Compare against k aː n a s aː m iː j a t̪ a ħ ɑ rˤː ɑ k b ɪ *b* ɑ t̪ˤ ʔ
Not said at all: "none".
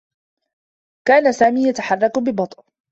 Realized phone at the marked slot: b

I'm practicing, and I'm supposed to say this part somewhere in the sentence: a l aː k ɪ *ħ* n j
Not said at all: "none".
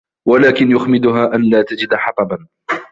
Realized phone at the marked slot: none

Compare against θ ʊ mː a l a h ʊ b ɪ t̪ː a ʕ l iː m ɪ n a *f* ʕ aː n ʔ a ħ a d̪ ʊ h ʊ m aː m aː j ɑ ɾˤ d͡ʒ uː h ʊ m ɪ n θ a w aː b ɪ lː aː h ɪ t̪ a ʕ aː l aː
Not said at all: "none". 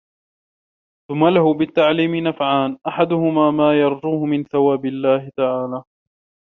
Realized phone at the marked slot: f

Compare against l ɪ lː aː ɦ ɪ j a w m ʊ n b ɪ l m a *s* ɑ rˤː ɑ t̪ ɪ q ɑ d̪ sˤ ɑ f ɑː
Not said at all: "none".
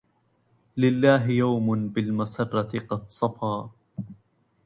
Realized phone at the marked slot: s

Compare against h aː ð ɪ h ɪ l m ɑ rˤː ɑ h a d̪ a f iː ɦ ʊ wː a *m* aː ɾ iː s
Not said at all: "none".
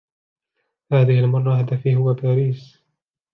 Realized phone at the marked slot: b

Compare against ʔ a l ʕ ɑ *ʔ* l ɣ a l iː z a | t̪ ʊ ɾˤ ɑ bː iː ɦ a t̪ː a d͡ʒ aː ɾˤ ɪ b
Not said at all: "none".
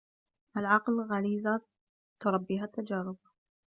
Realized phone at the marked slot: q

